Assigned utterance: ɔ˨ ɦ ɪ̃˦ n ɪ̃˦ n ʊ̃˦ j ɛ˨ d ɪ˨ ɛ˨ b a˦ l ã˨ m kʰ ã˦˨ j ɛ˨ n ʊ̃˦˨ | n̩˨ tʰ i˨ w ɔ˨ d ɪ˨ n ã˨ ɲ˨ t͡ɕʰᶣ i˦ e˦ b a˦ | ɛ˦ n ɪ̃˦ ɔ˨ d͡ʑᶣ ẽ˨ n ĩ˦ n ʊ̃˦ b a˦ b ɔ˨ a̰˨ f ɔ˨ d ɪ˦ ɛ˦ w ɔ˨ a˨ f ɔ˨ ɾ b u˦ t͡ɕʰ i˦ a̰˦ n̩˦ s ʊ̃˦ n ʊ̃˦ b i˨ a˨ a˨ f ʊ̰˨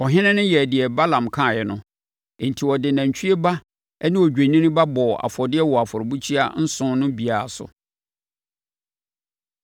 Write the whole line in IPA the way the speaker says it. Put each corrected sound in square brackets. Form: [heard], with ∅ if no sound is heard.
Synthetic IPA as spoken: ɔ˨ ɦ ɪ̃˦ n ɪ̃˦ n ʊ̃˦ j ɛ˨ d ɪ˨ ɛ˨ b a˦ l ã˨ m kʰ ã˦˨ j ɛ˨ n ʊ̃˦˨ | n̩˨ tʰ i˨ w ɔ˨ d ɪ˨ n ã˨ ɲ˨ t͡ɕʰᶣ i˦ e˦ b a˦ | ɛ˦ n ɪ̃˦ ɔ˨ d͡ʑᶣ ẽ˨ n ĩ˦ n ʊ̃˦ b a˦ b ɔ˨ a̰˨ f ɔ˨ d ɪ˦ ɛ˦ w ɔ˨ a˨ f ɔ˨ ɾ b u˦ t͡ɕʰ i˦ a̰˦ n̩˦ s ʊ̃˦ n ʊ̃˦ b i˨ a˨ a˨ [s] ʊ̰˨